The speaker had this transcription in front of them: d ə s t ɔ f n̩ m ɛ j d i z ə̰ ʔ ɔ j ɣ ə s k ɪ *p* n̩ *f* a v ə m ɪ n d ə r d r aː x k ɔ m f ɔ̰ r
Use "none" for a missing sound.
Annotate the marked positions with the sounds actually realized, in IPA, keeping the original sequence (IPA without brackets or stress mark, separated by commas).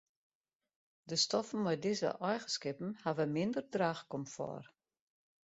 p, h